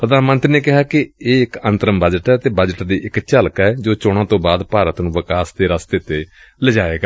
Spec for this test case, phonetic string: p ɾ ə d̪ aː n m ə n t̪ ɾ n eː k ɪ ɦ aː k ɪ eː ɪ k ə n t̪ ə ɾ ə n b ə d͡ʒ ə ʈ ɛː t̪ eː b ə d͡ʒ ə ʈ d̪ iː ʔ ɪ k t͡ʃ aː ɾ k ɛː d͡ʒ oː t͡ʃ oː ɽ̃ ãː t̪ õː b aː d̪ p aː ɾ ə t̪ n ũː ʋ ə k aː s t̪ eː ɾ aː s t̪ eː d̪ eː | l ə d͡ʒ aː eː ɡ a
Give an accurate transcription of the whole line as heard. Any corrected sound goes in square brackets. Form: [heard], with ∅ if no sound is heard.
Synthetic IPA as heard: p ɾ ə d̪ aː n m ə n t̪ ɾ n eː k ɪ ɦ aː k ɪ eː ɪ k ə n t̪ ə ɾ ə [m] b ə d͡ʒ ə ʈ ɛː t̪ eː b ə d͡ʒ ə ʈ d̪ iː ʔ ɪ k t͡ʃ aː [l] k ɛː d͡ʒ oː t͡ʃ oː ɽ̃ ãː t̪ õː b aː d̪ p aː ɾ ə t̪ n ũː ʋ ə k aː s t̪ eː ɾ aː s t̪ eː [t̪] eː | l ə d͡ʒ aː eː ɡ a

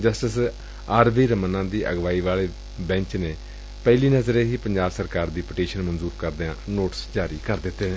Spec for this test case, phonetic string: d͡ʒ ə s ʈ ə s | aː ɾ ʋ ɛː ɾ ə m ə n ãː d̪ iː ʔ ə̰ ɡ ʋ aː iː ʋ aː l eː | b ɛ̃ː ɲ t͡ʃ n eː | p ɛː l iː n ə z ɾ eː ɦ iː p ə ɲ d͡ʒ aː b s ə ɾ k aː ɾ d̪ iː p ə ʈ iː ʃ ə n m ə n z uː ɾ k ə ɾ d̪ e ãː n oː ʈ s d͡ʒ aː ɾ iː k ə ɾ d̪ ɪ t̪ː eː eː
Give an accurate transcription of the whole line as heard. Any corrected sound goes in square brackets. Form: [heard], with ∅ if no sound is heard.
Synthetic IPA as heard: d͡ʒ ə s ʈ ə s | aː ɾ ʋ [iː] ɾ ə m ə n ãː d̪ iː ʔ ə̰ ɡ ʋ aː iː ʋ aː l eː | b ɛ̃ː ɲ t͡ʃ n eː | p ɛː l iː n ə z ɾ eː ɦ iː p ə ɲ d͡ʒ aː b s ə ɾ k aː ɾ d̪ iː p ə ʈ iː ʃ ə n m ə n z uː ɾ k ə ɾ d̪ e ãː n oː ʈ s d͡ʒ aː ɾ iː k ə ɾ d̪ ɪ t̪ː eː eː

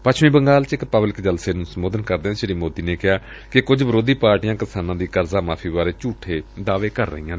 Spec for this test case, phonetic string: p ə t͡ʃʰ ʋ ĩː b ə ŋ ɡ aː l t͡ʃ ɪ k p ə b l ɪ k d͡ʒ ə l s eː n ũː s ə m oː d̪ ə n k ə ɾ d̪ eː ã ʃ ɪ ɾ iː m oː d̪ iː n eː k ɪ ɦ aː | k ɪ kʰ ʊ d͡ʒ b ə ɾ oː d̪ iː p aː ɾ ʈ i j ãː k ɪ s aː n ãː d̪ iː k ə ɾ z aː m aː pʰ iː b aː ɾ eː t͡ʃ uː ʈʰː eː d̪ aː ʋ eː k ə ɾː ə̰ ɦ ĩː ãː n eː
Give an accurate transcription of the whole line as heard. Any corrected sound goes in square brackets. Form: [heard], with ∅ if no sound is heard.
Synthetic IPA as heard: p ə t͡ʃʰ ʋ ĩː b ə ŋ ɡ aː l t͡ʃ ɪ k p ə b l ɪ k d͡ʒ ə l s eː n ũː s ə m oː d̪ ə n k ə ɾ d̪ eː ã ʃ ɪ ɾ iː m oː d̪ iː n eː k ɪ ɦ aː | k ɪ [k] ʊ d͡ʒ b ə ɾ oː d̪ iː p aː ɾ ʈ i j ãː k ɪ s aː n ãː d̪ iː k ə ɾ z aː m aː pʰ iː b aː ɾ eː t͡ʃ uː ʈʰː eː d̪ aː ʋ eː k ə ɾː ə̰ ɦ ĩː ãː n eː

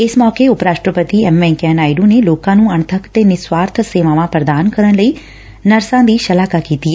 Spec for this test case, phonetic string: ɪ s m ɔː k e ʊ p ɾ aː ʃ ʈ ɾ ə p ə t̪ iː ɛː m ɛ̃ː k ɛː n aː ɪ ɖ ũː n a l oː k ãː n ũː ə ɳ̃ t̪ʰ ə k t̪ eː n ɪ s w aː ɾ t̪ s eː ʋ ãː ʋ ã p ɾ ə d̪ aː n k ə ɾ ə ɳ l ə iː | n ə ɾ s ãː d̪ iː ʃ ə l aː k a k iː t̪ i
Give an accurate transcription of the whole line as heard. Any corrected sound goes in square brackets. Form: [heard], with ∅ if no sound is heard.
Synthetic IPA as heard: ɪ s m ɔː k e ʊ p ɾ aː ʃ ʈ ɾ ə p ə t̪ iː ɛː m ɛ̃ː k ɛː n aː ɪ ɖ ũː n [e] l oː k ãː n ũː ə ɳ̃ t̪ʰ ə k t̪ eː n ɪ s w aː ɾ [t̪ʰ] s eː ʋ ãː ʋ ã p ɾ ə d̪ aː n k ə ɾ ə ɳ l ə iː | n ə ɾ s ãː d̪ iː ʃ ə l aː k a k iː t̪ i

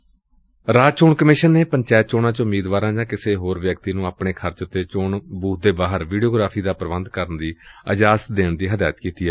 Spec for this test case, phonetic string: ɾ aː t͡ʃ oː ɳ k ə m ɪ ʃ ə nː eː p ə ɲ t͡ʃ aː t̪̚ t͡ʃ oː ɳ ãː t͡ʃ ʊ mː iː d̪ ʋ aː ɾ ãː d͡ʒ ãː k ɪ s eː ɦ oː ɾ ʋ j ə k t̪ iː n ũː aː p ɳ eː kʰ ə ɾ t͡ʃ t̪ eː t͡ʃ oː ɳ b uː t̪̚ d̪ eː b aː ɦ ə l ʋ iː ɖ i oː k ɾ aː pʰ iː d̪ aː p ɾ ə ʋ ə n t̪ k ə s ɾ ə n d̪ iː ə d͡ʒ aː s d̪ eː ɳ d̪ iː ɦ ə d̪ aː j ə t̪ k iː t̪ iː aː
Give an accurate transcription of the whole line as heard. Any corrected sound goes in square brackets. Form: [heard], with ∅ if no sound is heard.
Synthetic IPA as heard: ɾ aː t͡ʃ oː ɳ k ə m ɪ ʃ ə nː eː p ə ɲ t͡ʃ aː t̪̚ t͡ʃ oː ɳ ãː t͡ʃ ʊ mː iː d̪ ʋ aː ɾ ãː d͡ʒ ãː k ɪ s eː ɦ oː ɾ ʋ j ə k t̪ iː n ũː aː p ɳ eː kʰ ə ɾ t͡ʃ t̪ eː t͡ʃ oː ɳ b uː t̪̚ d̪ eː b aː ɦ ə [ɾ] ʋ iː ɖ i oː [ɡ] ɾ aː pʰ iː d̪ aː p ɾ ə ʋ ə n [d̪] k ə [∅] ɾ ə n d̪ iː ə d͡ʒ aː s d̪ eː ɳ d̪ iː ɦ ə d̪ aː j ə t̪ k iː t̪ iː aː

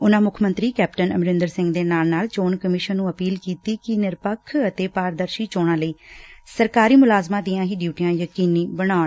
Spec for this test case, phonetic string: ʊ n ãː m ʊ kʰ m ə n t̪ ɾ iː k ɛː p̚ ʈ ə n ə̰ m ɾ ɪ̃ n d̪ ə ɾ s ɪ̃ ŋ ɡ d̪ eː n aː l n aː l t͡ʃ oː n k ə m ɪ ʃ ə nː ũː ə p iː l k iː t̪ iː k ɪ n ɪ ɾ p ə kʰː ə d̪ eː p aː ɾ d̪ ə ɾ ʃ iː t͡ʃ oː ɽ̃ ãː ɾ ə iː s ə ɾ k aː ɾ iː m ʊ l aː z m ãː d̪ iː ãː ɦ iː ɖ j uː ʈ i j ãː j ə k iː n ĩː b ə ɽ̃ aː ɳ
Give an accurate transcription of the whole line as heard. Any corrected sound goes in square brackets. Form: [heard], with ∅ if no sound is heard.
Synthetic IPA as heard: ʊ n ãː m ʊ kʰ m ə n t̪ ɾ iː k ɛː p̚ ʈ ə n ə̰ m ɾ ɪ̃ n d̪ ə ɾ s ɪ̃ ŋ ɡ d̪ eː n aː l n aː l t͡ʃ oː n k ə m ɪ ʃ ə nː ũː ə p iː l k iː t̪ iː k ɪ n ɪ ɾ p ə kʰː ə [t̪] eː p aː ɾ d̪ ə ɾ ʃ iː t͡ʃ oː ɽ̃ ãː [l] ə iː s ə ɾ k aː ɾ iː m ʊ l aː z m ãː d̪ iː ãː ɦ iː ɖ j uː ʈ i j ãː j ə k iː n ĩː b ə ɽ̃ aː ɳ

